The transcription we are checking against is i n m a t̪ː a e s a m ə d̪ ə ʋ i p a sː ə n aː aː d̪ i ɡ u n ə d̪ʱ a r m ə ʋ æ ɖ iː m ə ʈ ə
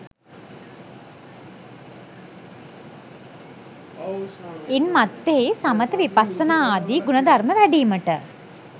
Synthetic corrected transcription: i n m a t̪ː e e s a m ə t̪ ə ʋ i p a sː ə n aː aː d̪ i ɡ u n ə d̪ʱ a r m ə ʋ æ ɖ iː m ə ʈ ə